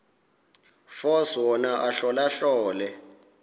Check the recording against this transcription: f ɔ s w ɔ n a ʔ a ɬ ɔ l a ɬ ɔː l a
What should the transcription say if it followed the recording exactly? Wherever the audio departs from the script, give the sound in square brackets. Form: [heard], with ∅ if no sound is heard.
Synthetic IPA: f ɔ s w ɔ n a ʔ a ɬ ɔ l a ɬ ɔː l [ɛ]

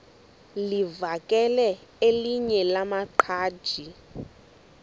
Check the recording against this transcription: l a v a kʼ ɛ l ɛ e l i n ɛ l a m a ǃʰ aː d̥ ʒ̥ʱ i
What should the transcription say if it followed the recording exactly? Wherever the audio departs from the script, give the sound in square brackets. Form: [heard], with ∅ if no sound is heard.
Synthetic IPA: l [i] v a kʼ ɛ l ɛ e l i [ɲ] ɛ l a m a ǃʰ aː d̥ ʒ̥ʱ i

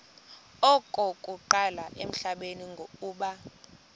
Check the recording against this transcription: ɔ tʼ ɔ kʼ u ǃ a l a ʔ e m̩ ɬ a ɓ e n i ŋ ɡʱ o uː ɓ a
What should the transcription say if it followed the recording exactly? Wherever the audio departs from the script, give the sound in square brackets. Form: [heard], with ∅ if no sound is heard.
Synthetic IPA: ɔ [kʼ] ɔ kʼ u ǃ a l a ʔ e m̩ ɬ a ɓ e n i ŋ ɡʱ o uː ɓ a

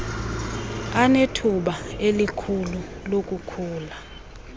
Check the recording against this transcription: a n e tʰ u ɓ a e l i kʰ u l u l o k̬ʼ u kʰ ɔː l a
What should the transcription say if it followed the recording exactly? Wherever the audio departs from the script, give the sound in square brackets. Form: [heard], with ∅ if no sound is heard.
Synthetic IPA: a n e tʰ u ɓ a e l i kʰ u l u l o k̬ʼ u kʰ [uː] l a

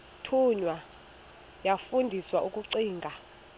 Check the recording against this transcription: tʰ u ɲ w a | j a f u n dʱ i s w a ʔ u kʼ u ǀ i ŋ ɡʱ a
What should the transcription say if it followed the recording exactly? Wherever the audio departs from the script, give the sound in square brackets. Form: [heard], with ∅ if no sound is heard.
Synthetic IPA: tʰ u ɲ w a | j a f u n dʱ i s w a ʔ u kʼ u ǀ [iː] ŋ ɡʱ a

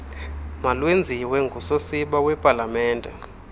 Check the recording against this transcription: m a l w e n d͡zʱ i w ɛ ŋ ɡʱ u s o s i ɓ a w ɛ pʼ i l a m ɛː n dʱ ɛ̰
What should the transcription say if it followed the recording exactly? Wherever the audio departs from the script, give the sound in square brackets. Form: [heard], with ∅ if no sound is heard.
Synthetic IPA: m a l w e n d͡zʱ i w ɛ ŋ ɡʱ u s o s i ɓ a w ɛ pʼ [a] l a m ɛː n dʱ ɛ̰

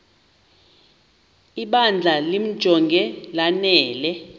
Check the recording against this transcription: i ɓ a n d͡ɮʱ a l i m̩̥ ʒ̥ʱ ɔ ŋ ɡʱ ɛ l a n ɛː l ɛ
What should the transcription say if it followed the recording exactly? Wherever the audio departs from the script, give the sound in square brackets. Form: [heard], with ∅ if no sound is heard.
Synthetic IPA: i ɓ a n d͡ɮʱ a l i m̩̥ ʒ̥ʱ ɔ ŋ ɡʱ ɛ l a n ɛː l ɛ

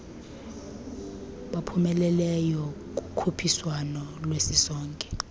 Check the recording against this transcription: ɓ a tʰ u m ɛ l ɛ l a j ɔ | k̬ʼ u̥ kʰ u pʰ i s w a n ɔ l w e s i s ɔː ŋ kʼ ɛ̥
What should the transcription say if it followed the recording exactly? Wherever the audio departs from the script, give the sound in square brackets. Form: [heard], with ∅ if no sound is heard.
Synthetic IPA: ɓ a [pʰ] u m ɛ l ɛ l [ɛ] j ɔ | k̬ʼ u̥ kʰ u pʰ i s w a n ɔ l w e s i s ɔː ŋ kʼ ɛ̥

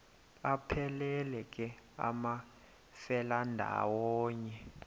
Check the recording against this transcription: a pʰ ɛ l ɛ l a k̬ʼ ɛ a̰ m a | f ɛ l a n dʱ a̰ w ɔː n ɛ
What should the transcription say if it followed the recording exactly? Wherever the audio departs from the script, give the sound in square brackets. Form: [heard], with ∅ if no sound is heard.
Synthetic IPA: a pʰ ɛ l ɛ l [ɛ] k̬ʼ ɛ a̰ m a | f ɛ l a n dʱ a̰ w ɔː [ɲ] ɛ

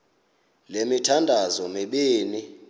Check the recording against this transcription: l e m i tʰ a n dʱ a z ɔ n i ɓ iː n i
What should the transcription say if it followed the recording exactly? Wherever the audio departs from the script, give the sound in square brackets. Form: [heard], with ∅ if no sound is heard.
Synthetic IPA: l e m i tʰ a n dʱ a z ɔ [m] i ɓ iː n i

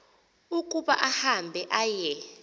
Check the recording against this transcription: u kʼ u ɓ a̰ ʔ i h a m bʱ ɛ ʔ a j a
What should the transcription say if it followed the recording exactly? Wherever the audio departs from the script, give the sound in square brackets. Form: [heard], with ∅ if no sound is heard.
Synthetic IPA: u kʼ u ɓ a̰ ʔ [a] h a m bʱ ɛ ʔ a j [ɛ]

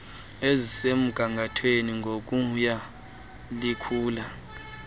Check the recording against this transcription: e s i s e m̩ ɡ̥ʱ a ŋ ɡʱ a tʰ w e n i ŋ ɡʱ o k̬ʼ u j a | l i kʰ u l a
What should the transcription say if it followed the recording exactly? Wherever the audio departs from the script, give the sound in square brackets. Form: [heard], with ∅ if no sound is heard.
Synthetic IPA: e [z] i s e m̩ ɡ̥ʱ a ŋ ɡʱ a tʰ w e n i ŋ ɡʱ o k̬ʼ u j a | l i kʰ [uː] l a

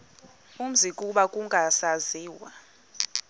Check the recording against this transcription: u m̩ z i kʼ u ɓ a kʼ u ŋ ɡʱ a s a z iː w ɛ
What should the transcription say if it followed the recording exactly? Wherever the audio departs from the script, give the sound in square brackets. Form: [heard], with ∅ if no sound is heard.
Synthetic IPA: u m̩ z i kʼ u ɓ a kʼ u ŋ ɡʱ a s a z iː w [a]

